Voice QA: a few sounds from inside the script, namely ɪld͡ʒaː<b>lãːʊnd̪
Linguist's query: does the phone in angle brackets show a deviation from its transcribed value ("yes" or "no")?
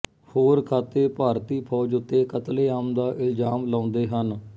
yes